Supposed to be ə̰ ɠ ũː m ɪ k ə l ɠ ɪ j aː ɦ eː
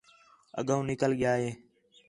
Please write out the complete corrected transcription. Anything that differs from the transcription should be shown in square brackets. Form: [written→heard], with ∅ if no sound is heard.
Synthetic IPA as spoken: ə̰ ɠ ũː [m→n] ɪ k ə l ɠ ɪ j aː ɦ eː